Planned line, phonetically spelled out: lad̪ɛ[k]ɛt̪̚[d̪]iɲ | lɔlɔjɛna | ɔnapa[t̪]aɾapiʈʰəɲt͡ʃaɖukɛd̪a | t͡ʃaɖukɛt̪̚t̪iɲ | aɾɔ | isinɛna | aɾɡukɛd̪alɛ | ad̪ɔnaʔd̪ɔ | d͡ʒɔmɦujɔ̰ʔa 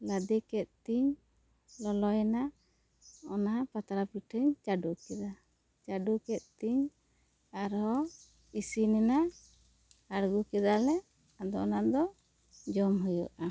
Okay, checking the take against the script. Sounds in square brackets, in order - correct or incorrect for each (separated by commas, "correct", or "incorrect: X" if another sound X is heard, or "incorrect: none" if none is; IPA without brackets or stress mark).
correct, incorrect: t̪, correct